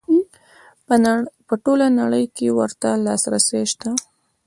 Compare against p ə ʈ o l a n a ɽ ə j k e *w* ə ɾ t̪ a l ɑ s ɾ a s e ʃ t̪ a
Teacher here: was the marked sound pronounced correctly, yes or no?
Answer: yes